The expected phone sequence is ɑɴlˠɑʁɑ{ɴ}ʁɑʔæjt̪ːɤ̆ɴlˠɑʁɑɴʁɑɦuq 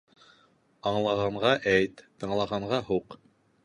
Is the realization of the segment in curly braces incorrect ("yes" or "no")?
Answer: no